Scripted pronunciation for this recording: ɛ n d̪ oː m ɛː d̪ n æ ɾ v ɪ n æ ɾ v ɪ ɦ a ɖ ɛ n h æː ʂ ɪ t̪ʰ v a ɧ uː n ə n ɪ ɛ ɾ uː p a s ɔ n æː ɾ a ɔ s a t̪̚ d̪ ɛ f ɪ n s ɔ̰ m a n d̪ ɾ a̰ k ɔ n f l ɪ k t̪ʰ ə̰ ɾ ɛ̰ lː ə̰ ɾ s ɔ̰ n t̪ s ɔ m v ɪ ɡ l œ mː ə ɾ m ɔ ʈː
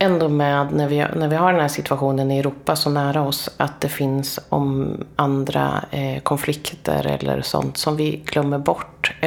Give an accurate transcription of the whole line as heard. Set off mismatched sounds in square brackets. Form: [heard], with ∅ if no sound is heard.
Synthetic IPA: ɛ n d̪ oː m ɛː d̪ n æ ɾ v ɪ n æ ɾ v ɪ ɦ a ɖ ɛ n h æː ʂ ɪ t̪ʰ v a ɧ uː n ə n ɪ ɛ ɾ uː p a s ɔ n æː ɾ a ɔ s a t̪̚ d̪ ɛ f ɪ n s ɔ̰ m a n d̪ ɾ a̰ [kʰ] ɔ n f l ɪ k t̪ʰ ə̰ ɾ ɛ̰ lː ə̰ ɾ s ɔ̰ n t̪ s ɔ m v ɪ ɡ l œ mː ə ɾ [b] ɔ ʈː